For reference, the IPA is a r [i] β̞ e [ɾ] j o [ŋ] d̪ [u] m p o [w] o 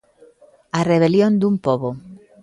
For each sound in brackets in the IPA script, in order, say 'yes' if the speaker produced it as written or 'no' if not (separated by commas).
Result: no, no, no, yes, no